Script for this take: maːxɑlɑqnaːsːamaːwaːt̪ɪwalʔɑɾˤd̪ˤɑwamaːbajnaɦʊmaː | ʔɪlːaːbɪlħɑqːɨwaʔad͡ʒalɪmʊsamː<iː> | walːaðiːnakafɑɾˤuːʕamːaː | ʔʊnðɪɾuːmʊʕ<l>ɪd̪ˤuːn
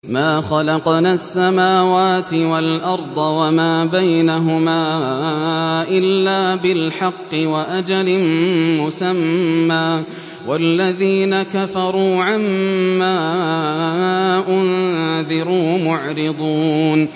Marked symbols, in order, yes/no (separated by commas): no, no